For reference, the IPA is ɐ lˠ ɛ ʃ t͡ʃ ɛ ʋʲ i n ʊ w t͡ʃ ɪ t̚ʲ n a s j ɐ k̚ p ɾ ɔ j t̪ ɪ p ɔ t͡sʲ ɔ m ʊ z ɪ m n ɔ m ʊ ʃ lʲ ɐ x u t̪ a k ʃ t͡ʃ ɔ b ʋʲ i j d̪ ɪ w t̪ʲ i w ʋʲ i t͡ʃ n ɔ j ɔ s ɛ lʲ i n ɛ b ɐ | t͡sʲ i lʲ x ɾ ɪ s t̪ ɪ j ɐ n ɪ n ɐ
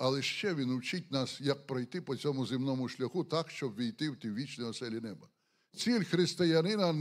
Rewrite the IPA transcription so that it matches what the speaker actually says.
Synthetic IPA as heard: ɐ lˠ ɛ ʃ t͡ʃ ɛ ʋʲ i n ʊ w t͡ʃ ɪ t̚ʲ n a s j ɐ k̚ p ɾ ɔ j t̪ ɪ p ɔ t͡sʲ ɔ m ʊ z ɪ m n ɔ m ʊ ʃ lʲ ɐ x u t̪ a k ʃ t͡ʃ ɔ b ʋʲ i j t̪ ɪ w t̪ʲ i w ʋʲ i t͡ʃ n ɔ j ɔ s ɛ lʲ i n ɛ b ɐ | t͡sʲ i lʲ x ɾ ɪ s t̪ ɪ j ɐ n ɪ n ɐ